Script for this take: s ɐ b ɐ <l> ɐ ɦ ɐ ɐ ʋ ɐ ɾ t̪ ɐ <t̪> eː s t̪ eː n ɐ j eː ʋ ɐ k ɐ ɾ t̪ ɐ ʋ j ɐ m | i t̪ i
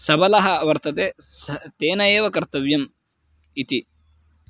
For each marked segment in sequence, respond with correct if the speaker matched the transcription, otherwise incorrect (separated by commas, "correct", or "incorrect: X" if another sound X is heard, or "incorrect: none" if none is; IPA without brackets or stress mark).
correct, correct